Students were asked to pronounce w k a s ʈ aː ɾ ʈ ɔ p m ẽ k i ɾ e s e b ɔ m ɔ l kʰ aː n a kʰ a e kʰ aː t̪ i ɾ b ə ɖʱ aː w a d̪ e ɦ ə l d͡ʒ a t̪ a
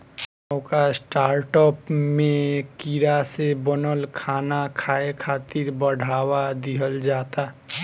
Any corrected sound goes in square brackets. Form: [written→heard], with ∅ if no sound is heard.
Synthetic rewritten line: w k a s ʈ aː ɾ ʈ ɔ p m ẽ k i ɾ [e→a] s e b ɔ [m→n] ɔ l kʰ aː n a kʰ a e kʰ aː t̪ i ɾ b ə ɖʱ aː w a d̪ [e→i] ɦ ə l d͡ʒ a t̪ a